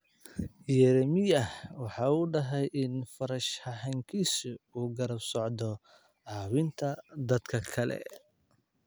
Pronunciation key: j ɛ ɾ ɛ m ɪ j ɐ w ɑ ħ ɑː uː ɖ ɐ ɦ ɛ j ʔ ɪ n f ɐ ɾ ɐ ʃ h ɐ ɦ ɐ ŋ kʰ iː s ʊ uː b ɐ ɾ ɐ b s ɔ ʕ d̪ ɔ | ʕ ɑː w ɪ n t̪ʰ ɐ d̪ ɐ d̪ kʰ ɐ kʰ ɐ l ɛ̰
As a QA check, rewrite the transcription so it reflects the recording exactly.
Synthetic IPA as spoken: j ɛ ɾ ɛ m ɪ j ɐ w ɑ ħ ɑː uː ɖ ɐ ɦ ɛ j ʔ ɪ n f ɐ ɾ ɐ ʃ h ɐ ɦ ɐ ŋ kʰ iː s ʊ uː ɡ ɐ ɾ ɐ b s ɔ ʕ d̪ ɔ | ʕ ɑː w ɪ n t̪ʰ ɐ d̪ ɐ d̪ kʰ ɐ kʰ ɐ l ɛ̰